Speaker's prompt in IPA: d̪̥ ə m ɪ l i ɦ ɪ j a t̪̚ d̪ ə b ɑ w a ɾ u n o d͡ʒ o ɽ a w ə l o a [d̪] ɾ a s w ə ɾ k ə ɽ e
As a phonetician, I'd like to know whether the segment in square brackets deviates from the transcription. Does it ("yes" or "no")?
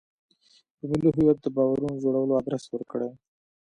no